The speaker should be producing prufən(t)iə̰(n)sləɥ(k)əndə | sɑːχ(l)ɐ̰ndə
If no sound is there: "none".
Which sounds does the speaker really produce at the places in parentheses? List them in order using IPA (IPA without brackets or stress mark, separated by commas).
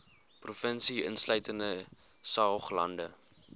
s, n, t, l